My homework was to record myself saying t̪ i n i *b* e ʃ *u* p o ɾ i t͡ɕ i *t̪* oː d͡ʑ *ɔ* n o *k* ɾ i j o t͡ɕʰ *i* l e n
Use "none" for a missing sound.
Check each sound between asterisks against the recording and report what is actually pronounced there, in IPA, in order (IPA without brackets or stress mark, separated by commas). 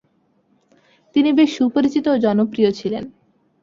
b, u, t̪, ɔ, p, i